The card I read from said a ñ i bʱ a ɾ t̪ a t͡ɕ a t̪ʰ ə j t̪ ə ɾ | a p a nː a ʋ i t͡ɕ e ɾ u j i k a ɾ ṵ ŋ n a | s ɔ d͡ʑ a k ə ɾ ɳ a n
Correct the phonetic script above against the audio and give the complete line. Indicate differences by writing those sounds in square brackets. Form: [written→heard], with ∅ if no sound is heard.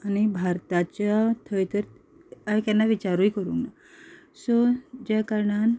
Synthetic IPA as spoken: a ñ i bʱ a ɾ t̪ a t͡ɕ a t̪ʰ ə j t̪ ə ɾ | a [p→k] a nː a ʋ i t͡ɕ [e→a] ɾ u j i k [a→ə] ɾ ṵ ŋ n a | s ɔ d͡ʑ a k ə ɾ ɳ a n